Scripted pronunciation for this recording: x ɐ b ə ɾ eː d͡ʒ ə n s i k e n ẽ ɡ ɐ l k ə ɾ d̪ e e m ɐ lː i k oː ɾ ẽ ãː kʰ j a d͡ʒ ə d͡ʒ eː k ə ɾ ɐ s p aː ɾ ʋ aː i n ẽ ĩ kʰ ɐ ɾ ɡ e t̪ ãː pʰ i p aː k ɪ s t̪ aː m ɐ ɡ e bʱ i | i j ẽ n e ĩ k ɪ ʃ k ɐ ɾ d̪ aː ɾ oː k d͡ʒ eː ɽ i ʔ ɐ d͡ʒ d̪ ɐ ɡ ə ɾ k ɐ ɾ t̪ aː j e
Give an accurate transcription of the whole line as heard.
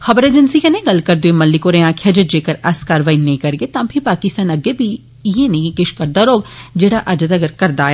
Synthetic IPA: x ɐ b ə ɾ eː d͡ʒ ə n s i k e n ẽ ɡ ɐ l k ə ɾ d̪ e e m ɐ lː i k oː ɾ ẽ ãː kʰ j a d͡ʒ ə d͡ʒ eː k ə ɾ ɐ s k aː ɾ ʋ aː i n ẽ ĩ k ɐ ɾ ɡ e t̪ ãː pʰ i p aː k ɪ s t̪ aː n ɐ ɡ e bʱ i | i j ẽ n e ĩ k ɪ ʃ k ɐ ɾ d̪ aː ɾ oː ɡ d͡ʒ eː ɽ a ʔ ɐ d͡ʒ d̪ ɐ ɡ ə ɾ k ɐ ɾ d̪ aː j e